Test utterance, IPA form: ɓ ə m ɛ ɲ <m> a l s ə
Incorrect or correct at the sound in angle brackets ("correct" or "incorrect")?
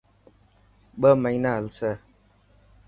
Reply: incorrect